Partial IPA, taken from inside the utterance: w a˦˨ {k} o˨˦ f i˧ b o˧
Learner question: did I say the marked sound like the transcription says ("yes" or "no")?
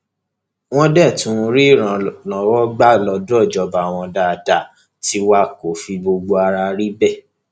yes